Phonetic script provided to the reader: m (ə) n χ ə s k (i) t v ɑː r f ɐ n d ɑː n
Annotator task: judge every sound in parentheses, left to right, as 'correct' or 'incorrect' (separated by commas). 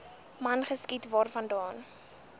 incorrect, correct